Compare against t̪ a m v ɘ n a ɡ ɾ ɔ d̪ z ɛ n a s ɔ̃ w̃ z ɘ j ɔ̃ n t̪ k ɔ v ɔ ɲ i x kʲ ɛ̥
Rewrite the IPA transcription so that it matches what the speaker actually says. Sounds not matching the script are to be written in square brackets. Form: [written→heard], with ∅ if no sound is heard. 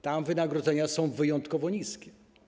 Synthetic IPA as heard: t̪ a m v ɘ n a ɡ ɾ ɔ d̪ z ɛ [n→ɲ] a s ɔ̃ w̃ [z→v] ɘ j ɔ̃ n t̪ k ɔ v ɔ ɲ i [x→s] kʲ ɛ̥